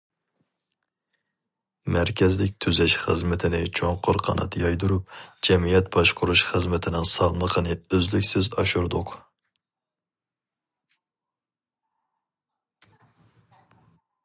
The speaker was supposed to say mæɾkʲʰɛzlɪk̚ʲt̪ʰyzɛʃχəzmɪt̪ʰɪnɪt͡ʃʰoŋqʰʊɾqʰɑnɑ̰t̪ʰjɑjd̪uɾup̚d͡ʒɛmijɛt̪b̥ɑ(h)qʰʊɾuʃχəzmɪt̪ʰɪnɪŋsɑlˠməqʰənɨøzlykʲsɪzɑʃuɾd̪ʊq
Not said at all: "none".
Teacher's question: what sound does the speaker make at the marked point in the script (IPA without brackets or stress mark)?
ʃ